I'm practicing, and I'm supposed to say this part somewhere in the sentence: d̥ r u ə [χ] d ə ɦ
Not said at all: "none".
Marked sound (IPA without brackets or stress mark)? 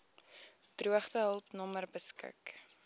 χ